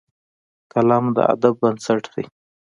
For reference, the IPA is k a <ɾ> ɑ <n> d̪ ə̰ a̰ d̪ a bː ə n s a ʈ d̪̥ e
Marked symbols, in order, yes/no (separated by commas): no, no